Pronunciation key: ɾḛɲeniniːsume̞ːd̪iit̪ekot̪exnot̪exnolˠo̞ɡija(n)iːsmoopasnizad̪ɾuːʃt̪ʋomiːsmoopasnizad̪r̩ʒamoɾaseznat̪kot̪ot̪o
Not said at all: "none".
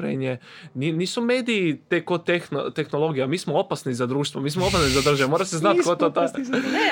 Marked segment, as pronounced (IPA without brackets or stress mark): m